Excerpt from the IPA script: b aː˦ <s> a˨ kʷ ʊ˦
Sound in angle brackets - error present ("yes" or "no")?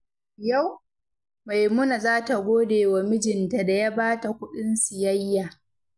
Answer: yes